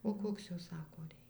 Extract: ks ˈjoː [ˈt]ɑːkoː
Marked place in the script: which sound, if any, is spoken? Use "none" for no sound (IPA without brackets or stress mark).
s